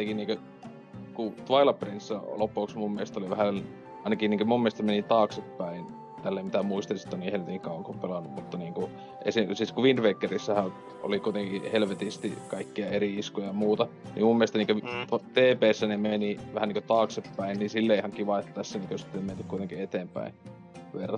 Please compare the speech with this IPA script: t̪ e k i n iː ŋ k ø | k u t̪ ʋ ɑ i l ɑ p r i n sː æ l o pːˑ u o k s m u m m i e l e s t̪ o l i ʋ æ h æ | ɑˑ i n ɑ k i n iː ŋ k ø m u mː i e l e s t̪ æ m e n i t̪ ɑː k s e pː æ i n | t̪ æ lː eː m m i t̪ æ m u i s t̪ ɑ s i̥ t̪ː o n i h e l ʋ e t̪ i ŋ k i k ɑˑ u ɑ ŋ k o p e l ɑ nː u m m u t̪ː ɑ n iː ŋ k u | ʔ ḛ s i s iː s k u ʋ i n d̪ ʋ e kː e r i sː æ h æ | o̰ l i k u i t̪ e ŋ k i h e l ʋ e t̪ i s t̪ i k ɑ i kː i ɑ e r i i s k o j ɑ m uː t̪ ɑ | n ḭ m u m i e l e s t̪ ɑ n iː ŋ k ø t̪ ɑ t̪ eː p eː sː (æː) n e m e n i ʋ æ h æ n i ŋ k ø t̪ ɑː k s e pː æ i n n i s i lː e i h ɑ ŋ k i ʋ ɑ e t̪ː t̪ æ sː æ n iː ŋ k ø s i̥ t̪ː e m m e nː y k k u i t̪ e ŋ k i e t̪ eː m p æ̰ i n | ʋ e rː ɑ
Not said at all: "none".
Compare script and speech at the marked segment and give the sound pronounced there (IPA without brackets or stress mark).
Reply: æ